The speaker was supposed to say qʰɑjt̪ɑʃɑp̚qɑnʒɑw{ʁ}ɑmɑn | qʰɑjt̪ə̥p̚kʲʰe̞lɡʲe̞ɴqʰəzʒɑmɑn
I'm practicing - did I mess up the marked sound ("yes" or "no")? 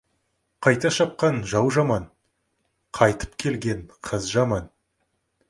yes